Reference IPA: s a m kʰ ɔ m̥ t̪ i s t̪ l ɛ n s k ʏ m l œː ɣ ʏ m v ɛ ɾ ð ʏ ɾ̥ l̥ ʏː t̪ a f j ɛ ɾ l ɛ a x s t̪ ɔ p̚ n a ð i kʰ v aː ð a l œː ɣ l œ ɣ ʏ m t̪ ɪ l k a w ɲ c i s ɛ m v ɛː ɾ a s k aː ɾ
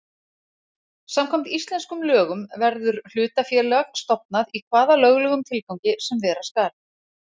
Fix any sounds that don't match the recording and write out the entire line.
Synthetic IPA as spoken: s a m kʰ ɔ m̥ t̪ i s t̪ l ɛ n s k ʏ m l œː ɣ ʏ m v ɛ ɾ ð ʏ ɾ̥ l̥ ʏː t̪ a f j ɛ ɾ l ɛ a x s t̪ ɔ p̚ n a ð i kʰ v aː ð a l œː ɣ l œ ɣ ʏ m t̪ʰ ɪ l k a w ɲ c ɪ s ɛ m v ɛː ɾ a s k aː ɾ